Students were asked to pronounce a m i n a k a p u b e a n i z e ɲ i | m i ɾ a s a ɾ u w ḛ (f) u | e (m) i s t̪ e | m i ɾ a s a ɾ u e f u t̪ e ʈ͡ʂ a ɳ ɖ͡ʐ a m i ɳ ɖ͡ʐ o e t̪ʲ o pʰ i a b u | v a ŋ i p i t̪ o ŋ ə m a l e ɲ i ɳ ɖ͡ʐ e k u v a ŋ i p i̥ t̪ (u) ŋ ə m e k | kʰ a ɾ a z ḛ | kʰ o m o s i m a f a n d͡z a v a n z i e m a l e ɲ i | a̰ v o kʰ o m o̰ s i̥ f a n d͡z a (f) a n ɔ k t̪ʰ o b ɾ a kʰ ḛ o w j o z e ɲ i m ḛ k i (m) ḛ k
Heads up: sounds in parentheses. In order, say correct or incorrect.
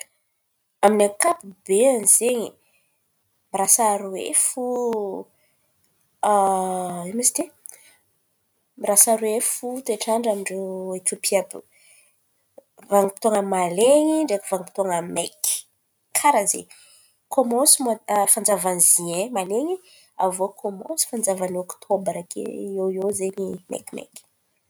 correct, correct, incorrect: o, incorrect: v, correct

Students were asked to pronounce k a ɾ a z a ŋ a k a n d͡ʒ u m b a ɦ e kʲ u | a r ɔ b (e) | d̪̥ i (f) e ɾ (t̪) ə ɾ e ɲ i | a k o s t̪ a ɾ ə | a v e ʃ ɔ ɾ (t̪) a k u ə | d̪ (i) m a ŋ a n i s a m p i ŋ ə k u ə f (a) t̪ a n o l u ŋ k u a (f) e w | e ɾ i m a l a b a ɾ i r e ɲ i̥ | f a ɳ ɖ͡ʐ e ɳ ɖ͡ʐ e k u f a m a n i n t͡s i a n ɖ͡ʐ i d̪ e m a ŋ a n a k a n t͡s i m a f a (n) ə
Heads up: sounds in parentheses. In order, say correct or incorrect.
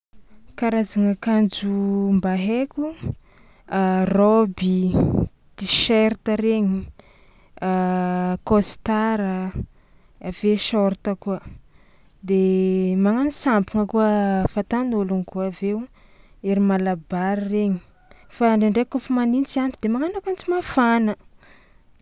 incorrect: i, incorrect: ʃ, correct, correct, incorrect: e, correct, incorrect: v, correct

